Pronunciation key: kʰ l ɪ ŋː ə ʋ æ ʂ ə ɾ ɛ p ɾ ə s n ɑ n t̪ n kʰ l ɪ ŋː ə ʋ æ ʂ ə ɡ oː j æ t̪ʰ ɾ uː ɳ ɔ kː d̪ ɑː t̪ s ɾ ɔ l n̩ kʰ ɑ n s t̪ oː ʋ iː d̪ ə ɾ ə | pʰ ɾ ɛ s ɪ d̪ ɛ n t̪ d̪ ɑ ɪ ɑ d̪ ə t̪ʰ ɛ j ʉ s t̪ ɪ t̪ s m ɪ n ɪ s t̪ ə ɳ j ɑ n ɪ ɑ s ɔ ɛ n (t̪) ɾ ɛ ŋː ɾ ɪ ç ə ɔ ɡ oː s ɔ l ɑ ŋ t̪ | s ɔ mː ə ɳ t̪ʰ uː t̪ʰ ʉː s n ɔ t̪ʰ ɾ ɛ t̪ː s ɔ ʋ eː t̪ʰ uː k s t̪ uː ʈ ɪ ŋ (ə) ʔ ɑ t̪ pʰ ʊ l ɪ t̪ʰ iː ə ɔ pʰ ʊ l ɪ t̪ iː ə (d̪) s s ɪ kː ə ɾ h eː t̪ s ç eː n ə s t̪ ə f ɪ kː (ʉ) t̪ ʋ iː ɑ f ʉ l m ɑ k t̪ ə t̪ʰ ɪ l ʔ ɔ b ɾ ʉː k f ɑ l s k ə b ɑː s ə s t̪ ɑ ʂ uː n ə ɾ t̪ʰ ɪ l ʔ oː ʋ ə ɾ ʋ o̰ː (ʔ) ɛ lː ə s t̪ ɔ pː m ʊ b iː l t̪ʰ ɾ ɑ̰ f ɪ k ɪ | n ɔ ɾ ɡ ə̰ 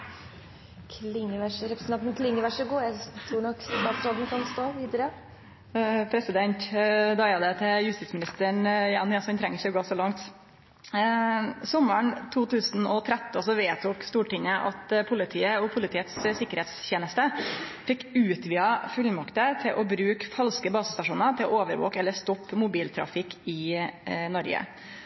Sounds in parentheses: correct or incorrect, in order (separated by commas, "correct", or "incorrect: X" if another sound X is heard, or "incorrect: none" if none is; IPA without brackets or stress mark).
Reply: incorrect: t̪ʰ, correct, incorrect: t̪, incorrect: ʉː, incorrect: k